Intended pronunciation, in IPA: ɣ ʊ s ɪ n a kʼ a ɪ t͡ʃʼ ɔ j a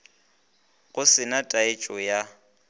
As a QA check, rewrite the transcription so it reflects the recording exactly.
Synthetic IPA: ɣ ʊ s ɪ n a tʼ a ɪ t͡ʃʼ ɔ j a